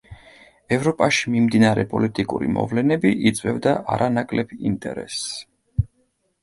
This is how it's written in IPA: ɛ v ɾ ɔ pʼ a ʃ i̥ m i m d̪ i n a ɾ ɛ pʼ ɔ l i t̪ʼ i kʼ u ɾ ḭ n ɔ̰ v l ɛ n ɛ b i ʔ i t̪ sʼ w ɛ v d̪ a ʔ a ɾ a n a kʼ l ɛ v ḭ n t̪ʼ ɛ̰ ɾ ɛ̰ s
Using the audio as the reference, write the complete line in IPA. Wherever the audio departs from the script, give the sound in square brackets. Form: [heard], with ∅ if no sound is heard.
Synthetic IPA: ɛ v ɾ ɔ pʼ a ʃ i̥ m i m d̪ i n a ɾ ɛ pʼ ɔ l i t̪ʼ i kʼ u ɾ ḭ [m] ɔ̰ v l ɛ n ɛ b i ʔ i t̪ sʼ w ɛ v d̪ a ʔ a ɾ a n a kʼ l ɛ [b] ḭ n t̪ʼ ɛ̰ ɾ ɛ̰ s

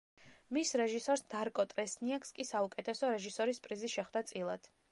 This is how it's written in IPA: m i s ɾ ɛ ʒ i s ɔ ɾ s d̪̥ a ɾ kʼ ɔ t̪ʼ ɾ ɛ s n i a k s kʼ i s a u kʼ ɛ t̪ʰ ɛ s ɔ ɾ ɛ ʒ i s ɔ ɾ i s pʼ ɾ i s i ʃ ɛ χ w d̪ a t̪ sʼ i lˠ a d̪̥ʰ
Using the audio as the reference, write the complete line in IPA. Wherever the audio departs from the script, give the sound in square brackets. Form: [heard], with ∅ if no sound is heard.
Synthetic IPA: m i s ɾ ɛ ʒ i s ɔ ɾ s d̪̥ a ɾ kʼ ɔ t̪ʼ ɾ ɛ s n i a k s kʼ i s a u kʼ ɛ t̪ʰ ɛ s ɔ ɾ ɛ ʒ i s ɔ ɾ i s pʼ ɾ i [z] i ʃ ɛ χ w d̪ a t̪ sʼ i lˠ a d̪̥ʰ

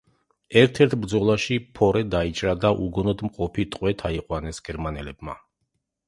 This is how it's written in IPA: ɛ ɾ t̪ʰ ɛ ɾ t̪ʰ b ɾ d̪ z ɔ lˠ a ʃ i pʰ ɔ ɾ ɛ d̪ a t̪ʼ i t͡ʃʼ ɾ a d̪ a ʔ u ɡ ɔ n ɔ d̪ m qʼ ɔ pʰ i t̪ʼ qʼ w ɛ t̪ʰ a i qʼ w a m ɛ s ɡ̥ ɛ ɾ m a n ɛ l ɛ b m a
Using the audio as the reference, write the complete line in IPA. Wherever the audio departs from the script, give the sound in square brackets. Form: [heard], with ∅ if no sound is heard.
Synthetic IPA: ɛ ɾ t̪ʰ ɛ ɾ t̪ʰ b ɾ d̪ z ɔ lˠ a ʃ i pʰ ɔ ɾ ɛ d̪ a [∅] i t͡ʃʼ ɾ a d̪ a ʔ u ɡ ɔ n ɔ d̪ m qʼ ɔ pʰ i t̪ʼ qʼ w ɛ t̪ʰ a i qʼ w a [n] ɛ s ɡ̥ ɛ ɾ m a n ɛ l ɛ b m a

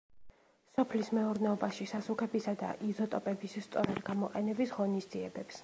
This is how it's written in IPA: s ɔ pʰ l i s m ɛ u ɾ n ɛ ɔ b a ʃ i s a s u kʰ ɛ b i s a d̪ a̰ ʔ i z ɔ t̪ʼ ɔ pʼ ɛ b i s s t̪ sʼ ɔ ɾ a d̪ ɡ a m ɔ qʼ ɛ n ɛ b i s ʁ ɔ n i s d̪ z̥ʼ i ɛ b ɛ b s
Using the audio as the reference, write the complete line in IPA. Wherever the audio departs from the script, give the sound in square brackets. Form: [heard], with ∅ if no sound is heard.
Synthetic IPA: s ɔ pʰ l i s m ɛ u ɾ n ɛ ɔ b a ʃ i s a s u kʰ ɛ b i s a d̪ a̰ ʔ i z ɔ t̪ʼ ɔ pʼ ɛ b i s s t̪ sʼ ɔ ɾ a d̪ ɡ a m ɔ qʼ ɛ n ɛ b i s ʁ ɔ n i s d̪ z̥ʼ i ɛ b ɛ [p] s

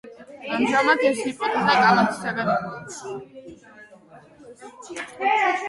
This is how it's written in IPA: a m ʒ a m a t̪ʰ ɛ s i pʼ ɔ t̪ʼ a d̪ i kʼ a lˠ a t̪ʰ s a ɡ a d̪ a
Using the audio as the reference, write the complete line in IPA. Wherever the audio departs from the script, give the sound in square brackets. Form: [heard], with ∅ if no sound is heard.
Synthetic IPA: a m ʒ a m a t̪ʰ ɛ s i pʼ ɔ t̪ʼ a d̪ [a] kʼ a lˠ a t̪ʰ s a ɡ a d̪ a

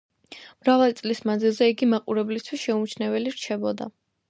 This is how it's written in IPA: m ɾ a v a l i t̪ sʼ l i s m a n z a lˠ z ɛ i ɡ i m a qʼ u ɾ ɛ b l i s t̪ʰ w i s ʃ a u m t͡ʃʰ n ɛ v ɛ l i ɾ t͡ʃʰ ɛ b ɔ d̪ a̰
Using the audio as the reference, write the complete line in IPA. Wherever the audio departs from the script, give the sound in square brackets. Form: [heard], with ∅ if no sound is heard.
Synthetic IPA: m ɾ a v a l i t̪ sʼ l i s m a n z [i] lˠ z ɛ i ɡ i m a qʼ u ɾ ɛ b l i s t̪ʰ w i s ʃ [ɛ] u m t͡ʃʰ n ɛ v ɛ l i ɾ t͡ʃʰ ɛ b ɔ d̪ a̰

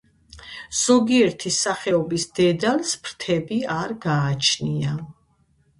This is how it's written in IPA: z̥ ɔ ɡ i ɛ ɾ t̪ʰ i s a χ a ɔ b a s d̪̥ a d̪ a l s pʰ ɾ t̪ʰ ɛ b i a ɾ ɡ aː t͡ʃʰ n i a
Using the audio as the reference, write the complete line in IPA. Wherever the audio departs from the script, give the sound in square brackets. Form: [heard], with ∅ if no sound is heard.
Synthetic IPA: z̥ ɔ ɡ i ɛ ɾ t̪ʰ i s a χ [ɛ] ɔ b [i] s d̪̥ [ɛ] d̪ a l s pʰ ɾ t̪ʰ ɛ b i a ɾ ɡ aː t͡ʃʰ n i a

